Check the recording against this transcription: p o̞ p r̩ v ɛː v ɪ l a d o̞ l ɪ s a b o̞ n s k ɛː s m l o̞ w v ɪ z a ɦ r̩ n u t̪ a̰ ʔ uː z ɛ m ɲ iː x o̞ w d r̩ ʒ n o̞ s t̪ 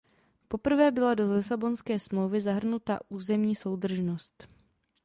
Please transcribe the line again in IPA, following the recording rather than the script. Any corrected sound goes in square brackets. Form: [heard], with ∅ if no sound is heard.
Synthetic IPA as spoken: p o̞ p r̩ v ɛː [b] ɪ l a d o̞ l ɪ s a b o̞ n s k ɛː s m l o̞ w v ɪ z a ɦ r̩ n u t̪ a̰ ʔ uː z ɛ m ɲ iː [s] o̞ w d r̩ ʒ n o̞ s t̪